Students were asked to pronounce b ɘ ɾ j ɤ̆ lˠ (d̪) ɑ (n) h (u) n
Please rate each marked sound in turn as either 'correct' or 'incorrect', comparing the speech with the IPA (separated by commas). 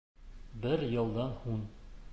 correct, correct, correct